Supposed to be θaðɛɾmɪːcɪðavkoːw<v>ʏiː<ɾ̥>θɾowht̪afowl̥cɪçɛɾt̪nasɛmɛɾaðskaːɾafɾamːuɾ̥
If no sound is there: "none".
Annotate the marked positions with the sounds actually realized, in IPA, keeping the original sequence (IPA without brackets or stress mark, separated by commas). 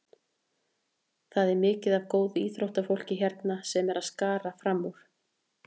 ð, none